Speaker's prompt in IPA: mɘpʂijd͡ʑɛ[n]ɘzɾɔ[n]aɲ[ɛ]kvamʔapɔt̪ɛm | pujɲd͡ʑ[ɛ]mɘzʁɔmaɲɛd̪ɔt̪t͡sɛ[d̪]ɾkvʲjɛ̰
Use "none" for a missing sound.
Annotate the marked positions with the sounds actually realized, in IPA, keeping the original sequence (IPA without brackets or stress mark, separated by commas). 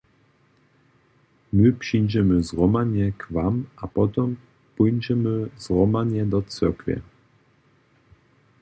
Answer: m, m, ɛ, ɛ, none